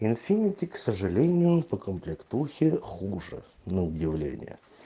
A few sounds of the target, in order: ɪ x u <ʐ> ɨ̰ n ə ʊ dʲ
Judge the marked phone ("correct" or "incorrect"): correct